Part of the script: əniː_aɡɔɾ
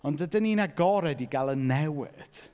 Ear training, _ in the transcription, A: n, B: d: A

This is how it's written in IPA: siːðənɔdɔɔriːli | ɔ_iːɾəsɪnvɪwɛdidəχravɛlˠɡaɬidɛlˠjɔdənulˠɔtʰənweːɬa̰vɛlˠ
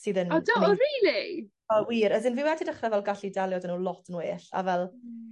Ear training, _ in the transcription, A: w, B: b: A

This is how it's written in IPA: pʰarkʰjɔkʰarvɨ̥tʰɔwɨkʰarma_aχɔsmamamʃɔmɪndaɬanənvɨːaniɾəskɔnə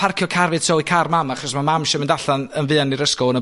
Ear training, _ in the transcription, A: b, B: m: B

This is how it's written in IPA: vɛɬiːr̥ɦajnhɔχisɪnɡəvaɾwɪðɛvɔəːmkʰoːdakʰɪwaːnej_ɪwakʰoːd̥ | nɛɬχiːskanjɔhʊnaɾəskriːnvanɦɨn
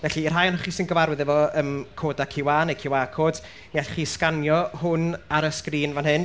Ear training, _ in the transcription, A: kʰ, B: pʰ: A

